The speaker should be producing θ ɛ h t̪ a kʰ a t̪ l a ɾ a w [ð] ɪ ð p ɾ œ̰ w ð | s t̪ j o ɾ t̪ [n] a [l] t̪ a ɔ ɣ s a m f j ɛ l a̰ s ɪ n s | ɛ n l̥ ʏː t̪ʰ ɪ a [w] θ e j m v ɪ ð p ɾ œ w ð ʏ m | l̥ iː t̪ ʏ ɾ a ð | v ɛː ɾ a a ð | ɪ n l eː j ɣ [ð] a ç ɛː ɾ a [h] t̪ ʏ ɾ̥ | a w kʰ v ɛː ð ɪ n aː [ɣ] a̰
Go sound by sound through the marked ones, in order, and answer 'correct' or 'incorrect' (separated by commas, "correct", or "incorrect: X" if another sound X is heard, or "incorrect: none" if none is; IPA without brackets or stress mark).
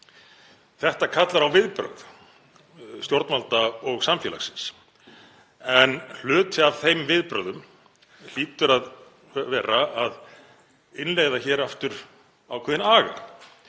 incorrect: v, incorrect: m, correct, incorrect: v, correct, incorrect: f, correct